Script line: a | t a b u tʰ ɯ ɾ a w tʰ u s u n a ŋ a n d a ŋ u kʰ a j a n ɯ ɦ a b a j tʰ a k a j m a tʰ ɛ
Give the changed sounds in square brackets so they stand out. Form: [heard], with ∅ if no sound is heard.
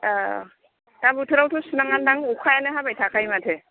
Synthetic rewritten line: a | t a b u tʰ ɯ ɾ a w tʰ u s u n a ŋ a n d a ŋ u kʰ a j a n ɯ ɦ a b a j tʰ a k a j m a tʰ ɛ